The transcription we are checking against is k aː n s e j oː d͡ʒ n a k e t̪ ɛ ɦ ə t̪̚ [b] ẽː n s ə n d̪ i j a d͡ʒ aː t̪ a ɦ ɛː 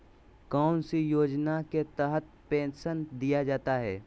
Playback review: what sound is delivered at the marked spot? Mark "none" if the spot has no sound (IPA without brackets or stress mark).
p